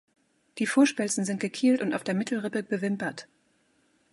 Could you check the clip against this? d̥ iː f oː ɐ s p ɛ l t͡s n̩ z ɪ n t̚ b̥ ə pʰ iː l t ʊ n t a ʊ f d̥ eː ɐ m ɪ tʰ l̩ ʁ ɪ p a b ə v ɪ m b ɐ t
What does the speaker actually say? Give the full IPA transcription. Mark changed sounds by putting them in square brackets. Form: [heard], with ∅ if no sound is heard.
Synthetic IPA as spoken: d̥ iː f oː ɐ [ʃ] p ɛ l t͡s n̩ z ɪ n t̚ [ɡ̥] ə [kʰ] iː l t ʊ n t a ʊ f d̥ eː ɐ m ɪ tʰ l̩ ʁ ɪ p [ə] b ə v ɪ m [p] ɐ t